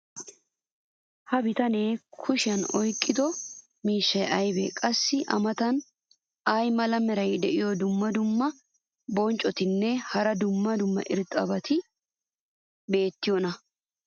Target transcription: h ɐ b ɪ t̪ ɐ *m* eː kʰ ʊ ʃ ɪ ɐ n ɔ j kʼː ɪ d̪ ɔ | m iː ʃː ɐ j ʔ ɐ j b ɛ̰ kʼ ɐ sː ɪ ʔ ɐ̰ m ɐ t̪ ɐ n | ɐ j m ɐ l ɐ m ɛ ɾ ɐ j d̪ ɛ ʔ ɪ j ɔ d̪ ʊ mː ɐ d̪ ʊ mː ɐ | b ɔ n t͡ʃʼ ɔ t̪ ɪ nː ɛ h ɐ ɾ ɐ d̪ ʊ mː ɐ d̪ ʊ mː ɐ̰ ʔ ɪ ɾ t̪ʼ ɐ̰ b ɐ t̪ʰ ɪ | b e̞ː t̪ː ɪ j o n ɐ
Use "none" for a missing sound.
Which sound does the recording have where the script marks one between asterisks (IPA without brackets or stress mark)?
n